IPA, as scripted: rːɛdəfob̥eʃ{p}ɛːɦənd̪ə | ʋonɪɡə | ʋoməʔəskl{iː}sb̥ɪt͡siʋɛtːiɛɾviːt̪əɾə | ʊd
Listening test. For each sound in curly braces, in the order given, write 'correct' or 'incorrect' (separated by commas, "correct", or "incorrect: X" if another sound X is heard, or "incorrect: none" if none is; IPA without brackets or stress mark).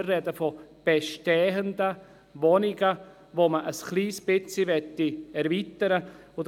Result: incorrect: t, correct